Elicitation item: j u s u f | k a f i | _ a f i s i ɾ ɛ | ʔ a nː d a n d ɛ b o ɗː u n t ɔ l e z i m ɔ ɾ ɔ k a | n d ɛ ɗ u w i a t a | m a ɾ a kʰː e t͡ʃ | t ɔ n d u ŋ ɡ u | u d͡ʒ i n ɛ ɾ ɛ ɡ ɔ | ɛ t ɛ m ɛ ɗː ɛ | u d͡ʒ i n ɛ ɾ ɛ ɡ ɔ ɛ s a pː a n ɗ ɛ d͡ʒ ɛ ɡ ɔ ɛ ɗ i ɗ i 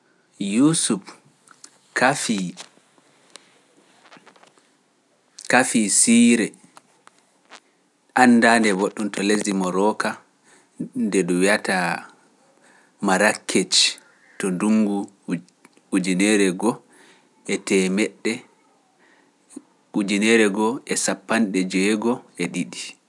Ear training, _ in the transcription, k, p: k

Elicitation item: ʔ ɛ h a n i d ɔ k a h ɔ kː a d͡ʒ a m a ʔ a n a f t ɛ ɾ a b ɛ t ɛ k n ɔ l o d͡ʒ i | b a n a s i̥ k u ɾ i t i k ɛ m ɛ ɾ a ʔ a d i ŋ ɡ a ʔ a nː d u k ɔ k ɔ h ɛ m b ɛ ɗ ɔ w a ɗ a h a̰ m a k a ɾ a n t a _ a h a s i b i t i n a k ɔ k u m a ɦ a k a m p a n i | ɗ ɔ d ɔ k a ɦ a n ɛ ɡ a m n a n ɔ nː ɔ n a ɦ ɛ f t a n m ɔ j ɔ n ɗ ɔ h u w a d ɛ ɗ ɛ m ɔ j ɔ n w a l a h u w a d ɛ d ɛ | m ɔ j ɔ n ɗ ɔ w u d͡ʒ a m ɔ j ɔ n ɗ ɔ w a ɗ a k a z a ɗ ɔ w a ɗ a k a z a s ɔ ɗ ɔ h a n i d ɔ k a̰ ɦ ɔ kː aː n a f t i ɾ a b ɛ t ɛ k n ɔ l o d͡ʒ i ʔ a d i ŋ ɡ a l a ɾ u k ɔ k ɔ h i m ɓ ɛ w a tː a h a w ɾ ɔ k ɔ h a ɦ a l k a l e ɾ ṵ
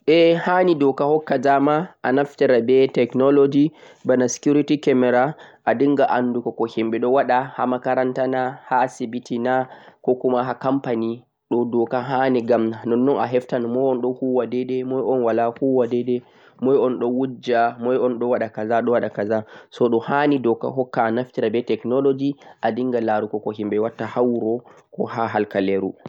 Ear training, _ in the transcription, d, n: n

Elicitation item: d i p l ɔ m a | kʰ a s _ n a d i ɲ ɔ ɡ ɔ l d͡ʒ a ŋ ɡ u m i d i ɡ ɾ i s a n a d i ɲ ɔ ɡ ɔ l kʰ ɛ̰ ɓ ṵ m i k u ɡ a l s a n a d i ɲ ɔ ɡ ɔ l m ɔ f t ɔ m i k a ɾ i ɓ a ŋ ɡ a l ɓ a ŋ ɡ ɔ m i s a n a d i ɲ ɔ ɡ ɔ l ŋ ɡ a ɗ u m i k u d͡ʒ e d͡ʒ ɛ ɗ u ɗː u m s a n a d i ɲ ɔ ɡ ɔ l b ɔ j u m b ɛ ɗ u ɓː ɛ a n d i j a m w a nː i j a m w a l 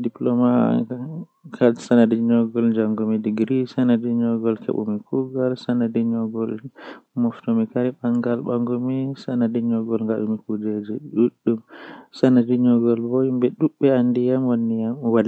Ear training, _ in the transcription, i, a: a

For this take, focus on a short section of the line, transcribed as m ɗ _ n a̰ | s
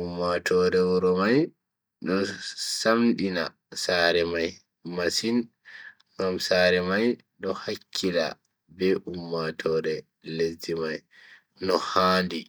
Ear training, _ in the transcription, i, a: i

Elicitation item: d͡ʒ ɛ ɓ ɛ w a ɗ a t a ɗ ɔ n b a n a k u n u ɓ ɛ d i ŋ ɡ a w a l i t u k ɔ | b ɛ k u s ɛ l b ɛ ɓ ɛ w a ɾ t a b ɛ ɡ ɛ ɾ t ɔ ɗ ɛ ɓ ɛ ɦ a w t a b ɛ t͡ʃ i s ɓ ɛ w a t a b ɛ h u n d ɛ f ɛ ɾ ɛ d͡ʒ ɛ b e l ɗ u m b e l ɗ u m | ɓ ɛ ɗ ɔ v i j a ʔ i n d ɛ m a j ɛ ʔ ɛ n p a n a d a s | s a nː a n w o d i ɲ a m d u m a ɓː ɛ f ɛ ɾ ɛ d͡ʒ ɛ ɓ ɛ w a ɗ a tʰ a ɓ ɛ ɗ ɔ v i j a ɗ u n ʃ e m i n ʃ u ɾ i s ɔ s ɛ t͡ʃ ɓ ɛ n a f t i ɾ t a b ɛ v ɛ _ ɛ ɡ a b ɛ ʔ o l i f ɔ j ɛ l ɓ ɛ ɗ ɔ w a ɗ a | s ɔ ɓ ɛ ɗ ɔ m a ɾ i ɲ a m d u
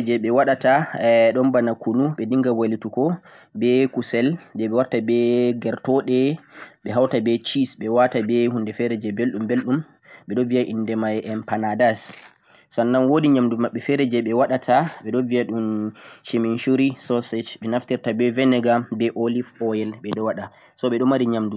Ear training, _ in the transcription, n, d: n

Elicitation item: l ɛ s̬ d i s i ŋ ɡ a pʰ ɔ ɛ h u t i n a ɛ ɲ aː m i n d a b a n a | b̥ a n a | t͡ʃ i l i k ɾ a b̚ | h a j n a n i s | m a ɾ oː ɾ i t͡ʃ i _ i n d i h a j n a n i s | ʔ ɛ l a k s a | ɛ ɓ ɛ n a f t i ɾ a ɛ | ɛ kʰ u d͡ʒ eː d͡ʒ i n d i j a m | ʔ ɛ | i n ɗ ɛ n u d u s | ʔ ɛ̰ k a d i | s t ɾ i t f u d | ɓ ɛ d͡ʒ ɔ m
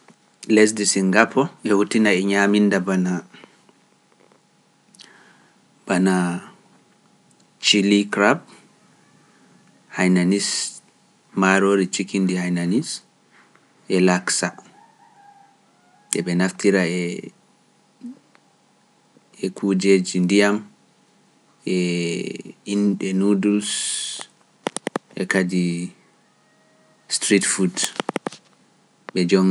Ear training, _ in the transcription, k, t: k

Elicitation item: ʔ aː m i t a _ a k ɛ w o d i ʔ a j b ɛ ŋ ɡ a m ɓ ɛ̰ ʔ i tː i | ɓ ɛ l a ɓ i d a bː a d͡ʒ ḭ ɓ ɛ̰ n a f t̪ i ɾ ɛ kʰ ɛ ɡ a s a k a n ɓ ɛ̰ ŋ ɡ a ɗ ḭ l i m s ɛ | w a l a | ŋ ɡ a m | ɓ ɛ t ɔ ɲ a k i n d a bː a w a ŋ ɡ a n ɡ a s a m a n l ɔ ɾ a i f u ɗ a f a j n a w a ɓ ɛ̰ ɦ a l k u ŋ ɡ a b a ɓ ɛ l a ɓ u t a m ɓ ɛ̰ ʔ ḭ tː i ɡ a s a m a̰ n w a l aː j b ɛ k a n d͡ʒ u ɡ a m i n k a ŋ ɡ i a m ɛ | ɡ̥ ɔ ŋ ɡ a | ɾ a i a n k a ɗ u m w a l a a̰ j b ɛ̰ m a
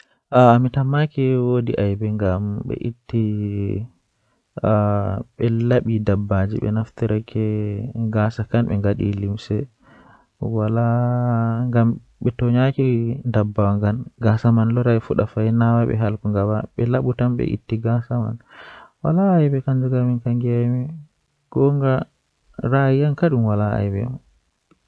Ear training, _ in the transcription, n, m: m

